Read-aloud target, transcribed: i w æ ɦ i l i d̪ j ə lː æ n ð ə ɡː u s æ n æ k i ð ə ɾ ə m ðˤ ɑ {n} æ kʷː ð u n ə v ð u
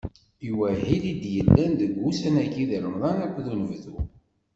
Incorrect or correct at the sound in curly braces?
correct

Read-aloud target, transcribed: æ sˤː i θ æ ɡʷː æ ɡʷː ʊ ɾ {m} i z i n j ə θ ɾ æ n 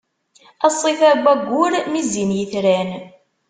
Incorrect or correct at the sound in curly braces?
correct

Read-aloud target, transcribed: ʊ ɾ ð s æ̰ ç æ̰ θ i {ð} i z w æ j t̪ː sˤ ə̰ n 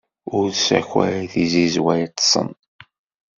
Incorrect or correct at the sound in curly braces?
incorrect: z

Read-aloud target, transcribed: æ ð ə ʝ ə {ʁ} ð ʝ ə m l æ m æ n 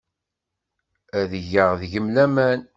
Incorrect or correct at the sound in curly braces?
correct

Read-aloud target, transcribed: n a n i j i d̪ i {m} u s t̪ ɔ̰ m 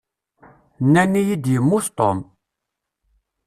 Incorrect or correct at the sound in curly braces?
correct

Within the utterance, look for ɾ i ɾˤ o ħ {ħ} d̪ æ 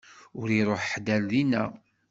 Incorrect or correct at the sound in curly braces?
correct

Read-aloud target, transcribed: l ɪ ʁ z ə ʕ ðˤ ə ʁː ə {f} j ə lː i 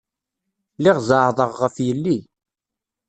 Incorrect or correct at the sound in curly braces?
correct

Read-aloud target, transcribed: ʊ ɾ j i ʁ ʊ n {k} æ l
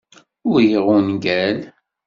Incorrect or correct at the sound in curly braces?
incorrect: ɡ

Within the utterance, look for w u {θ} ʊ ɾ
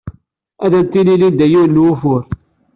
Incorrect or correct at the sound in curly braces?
incorrect: f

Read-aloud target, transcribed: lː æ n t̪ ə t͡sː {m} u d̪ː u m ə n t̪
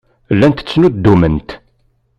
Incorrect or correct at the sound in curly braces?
incorrect: n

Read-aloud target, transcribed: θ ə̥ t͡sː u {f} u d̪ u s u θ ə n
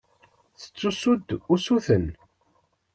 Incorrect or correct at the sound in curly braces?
incorrect: s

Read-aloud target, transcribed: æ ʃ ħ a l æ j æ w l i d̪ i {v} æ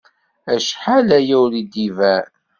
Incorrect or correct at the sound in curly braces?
correct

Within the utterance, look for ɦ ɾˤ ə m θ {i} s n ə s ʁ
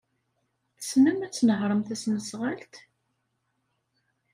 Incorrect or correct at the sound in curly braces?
incorrect: æ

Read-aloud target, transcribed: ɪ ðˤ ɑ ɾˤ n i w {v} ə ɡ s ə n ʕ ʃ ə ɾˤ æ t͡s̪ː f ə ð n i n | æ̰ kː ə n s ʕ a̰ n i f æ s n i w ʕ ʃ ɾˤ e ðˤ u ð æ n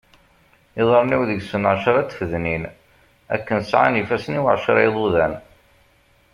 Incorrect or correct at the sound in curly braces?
incorrect: ð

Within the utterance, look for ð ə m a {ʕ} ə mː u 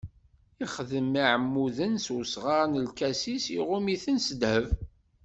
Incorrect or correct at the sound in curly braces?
correct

